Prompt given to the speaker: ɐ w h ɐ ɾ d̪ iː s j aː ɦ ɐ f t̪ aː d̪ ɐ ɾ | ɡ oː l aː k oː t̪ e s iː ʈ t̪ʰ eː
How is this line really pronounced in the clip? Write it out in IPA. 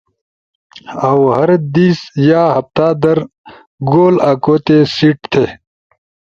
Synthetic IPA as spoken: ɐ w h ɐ ɾ d̪ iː s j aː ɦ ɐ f t̪ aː d̪ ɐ ɾ | ɡ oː l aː k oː t̪ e s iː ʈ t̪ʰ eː